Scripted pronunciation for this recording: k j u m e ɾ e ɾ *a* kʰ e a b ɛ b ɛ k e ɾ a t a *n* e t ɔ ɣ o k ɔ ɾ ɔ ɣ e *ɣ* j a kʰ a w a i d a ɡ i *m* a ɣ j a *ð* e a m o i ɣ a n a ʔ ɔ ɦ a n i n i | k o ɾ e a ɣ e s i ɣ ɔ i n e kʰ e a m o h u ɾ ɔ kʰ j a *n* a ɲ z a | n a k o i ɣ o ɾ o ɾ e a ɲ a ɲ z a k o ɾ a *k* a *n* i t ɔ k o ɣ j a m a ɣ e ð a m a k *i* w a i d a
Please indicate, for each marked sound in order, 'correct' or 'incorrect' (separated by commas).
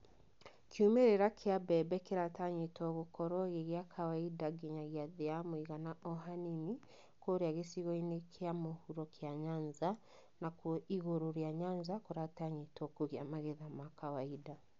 correct, incorrect, correct, incorrect, correct, incorrect, incorrect, incorrect, incorrect